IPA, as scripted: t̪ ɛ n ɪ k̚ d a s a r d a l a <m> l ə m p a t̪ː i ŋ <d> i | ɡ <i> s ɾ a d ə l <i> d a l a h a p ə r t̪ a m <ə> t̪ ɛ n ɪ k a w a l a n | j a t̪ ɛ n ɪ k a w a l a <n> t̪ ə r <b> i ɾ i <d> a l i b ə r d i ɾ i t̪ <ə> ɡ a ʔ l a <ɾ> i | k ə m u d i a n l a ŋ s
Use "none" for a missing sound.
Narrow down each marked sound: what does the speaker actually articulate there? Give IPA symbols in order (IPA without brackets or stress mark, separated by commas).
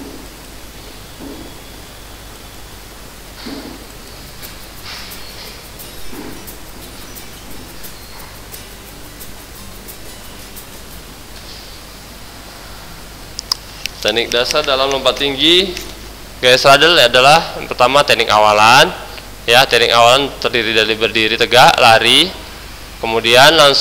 m, ɡ, a, a, a, n, d, d, ə, ɾ